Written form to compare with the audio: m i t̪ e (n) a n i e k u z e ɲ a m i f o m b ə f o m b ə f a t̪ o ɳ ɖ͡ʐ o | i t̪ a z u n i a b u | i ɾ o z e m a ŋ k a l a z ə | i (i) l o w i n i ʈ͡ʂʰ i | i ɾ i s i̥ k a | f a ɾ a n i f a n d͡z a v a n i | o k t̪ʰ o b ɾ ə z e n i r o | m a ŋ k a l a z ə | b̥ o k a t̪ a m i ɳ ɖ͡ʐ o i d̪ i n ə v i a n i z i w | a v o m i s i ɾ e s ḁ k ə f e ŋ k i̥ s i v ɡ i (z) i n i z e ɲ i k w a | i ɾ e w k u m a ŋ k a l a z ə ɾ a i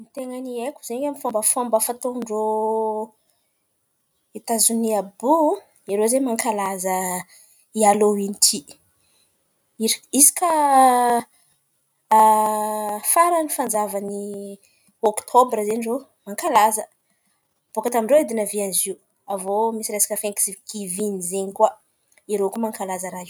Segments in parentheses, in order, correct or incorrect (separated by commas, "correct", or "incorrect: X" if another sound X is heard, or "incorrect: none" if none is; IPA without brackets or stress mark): incorrect: ŋ, incorrect: a, incorrect: v